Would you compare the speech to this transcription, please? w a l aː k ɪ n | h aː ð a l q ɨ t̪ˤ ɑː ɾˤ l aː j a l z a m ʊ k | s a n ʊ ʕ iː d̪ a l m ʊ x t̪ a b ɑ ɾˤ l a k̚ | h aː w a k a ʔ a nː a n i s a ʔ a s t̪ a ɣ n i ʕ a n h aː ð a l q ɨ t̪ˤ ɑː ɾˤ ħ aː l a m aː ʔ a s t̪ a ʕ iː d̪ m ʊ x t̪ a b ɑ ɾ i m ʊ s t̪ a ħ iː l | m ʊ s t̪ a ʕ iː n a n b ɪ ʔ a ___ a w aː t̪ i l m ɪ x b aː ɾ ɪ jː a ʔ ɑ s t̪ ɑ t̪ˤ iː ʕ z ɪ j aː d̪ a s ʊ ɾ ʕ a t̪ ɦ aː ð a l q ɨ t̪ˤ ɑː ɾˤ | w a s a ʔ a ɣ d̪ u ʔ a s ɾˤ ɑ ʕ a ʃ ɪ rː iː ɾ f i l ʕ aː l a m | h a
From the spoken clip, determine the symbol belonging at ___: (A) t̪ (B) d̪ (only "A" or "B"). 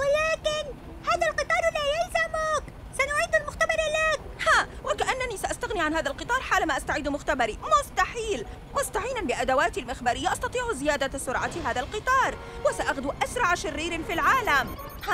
B